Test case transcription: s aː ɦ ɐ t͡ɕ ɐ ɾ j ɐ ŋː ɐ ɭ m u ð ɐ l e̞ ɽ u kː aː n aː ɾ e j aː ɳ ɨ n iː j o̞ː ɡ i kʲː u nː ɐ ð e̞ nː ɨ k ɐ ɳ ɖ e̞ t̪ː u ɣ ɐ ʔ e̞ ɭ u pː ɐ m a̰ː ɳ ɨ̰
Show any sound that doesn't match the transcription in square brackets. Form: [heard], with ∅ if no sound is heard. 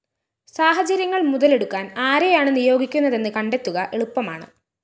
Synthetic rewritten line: s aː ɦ ɐ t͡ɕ ɐ ɾ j ɐ ŋː ɐ ɭ m u ð ɐ l e̞ ɽ u kː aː n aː ɾ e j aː ɳ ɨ n [i] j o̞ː ɡ i kʲː u nː ɐ ð e̞ nː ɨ k ɐ ɳ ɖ e̞ t̪ː u ɣ ɐ ʔ e̞ ɭ u pː ɐ m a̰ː ɳ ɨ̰